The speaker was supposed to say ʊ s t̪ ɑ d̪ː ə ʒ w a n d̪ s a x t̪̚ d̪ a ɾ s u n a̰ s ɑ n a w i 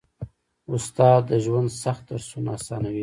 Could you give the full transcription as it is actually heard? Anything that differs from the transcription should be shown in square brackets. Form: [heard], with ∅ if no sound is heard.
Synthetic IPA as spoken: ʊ s t̪ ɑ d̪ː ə ʒ w a n d̪ s a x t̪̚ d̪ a ɾ s u n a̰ s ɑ n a w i

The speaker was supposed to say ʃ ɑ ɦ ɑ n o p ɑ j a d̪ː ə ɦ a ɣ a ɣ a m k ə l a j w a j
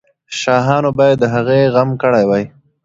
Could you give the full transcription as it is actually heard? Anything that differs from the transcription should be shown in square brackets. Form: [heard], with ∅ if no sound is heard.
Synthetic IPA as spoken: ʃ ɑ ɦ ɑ n o [b] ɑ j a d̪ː ə ɦ a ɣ [e] ɣ a m k ə [ɽ] a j w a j

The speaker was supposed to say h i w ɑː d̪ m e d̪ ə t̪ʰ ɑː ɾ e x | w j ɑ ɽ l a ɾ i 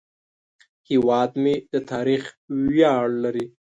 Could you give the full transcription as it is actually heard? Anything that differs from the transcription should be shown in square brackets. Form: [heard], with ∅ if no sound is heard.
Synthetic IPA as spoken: h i w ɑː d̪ m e d̪ ə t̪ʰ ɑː ɾ [i] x | w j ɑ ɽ l a ɾ i

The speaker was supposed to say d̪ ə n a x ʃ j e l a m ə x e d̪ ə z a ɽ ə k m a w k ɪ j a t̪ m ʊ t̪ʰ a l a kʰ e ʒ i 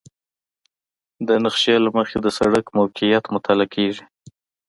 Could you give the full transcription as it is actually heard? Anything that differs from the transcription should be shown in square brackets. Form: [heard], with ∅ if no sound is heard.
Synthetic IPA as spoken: d̪ ə n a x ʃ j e l a m ə x e d̪ ə [s] a ɽ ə k m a w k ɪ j a t̪ m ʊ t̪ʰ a l a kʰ e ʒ i

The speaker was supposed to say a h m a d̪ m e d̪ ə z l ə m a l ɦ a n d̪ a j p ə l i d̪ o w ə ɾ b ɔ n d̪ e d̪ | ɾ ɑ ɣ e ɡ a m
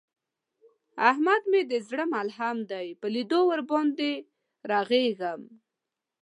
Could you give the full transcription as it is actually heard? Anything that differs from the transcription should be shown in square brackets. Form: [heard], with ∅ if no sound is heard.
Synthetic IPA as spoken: a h m a d̪ m e d̪ ə z [ɽ] ə m a l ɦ a [m] d̪ a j p ə l i d̪ o w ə ɾ b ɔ n d̪ e [∅] | ɾ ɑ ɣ e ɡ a m

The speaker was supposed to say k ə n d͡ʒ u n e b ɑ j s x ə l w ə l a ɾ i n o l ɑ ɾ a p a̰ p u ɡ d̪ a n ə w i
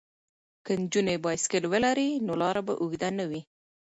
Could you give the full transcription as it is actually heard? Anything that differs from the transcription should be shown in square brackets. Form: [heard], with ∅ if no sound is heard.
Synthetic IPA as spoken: k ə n d͡ʒ u n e b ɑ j s [k] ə l w ə l a ɾ i n o l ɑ ɾ a [b] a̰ [ʔ] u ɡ d̪ a n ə w i

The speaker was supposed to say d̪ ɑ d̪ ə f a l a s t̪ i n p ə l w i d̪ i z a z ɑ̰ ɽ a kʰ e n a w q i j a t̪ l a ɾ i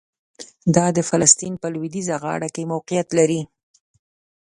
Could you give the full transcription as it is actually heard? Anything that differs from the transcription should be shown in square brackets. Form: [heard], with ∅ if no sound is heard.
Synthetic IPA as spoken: d̪ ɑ d̪ ə f a l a s t̪ i n p ə l w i d̪ i z a [ɣ] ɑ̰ ɽ a [k] e [m] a w q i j a t̪ l a ɾ i

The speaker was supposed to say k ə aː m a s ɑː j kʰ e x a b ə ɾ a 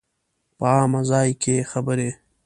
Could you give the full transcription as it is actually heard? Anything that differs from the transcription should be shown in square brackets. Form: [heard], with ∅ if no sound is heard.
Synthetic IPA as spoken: [p] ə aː m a [z] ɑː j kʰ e x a b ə ɾ [e]

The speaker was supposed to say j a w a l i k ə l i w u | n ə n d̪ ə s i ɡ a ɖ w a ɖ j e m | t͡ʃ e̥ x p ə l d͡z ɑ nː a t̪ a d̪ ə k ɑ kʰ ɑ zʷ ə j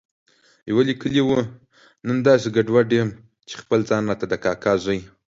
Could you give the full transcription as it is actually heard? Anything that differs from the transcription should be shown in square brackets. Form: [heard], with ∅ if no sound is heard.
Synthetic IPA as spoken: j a w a l i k ə l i w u | n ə n d̪ [ɑ] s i ɡ a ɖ w a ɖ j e m | t͡ʃ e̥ x p ə l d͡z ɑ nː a t̪ a d̪ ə k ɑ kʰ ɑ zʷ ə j

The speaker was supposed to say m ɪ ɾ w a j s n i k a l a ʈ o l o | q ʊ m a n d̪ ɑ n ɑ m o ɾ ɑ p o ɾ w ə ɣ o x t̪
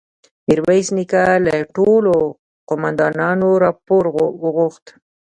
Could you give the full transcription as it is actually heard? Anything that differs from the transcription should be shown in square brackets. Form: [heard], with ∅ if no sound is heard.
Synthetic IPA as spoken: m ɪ ɾ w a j s n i k a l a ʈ o l o | q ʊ m a n d̪ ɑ n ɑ [n] o ɾ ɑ p o ɾ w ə ɣ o x t̪

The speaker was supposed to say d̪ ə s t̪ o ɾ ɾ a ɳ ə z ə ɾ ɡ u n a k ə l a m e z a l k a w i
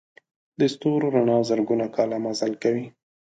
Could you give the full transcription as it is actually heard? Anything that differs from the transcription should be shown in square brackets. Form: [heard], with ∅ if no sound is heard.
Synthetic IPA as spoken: d̪ ə s t̪ o ɾ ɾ a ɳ [ɑ] z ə ɾ ɡ u n a k [ɑ] l a m [a] z a l k a w i

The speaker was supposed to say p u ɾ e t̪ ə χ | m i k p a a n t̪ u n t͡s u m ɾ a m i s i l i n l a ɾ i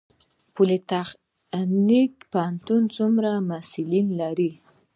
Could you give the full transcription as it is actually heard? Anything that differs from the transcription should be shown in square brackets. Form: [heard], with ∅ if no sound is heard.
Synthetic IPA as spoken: p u [l] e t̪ [a] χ | [n] i k p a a n t̪ u n t͡s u m ɾ a m [a] s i l i n l a ɾ i

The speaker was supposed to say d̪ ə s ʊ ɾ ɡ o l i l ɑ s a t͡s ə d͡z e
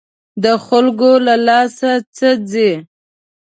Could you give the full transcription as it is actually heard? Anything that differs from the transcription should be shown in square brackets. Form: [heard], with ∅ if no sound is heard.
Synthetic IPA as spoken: d̪ ə [x] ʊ [l] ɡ o l [a] l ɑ s a t͡s ə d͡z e

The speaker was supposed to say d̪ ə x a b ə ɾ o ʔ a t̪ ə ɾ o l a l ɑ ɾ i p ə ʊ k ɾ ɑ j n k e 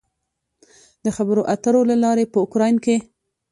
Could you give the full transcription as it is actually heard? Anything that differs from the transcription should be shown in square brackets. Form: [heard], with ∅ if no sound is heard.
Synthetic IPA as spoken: d̪ ə x a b ə ɾ o ʔ a t̪ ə ɾ o l a l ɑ ɾ [e] p ə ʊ k ɾ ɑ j n k e

